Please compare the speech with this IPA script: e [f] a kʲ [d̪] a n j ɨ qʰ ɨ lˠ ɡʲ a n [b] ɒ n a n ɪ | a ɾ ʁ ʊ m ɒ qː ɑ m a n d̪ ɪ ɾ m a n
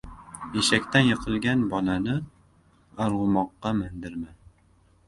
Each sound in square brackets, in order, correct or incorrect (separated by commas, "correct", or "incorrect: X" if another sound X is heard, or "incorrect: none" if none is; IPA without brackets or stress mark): incorrect: ʃ, incorrect: t̪, correct